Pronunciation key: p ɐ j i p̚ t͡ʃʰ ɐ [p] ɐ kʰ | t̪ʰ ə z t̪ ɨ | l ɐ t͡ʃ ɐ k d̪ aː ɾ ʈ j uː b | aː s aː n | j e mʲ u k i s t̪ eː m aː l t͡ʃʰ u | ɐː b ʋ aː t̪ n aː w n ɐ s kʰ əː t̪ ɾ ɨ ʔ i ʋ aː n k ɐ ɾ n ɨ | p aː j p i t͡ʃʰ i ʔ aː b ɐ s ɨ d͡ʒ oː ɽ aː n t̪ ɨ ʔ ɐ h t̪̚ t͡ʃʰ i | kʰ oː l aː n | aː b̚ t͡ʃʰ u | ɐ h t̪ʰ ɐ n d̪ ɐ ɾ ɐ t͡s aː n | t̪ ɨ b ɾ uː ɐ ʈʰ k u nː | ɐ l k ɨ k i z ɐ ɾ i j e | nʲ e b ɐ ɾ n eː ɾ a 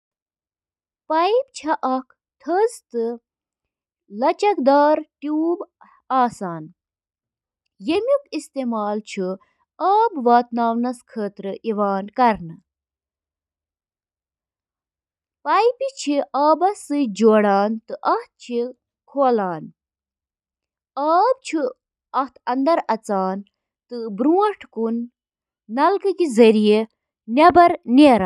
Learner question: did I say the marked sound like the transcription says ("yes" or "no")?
no